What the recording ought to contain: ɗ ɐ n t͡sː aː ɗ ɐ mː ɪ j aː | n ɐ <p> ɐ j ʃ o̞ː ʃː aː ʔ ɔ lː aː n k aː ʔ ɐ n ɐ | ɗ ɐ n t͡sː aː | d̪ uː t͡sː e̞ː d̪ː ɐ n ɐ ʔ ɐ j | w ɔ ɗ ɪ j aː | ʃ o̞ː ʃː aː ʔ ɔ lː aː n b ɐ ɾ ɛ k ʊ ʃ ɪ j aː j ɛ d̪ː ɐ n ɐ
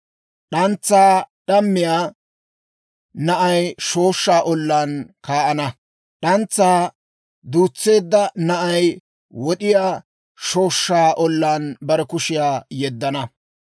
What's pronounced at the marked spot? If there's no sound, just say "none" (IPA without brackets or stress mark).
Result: ʔ